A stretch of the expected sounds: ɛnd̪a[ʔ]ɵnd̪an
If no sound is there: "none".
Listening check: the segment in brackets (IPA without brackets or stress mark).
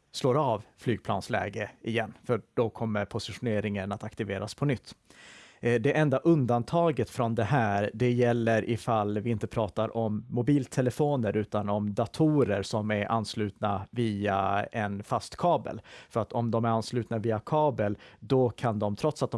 ʔ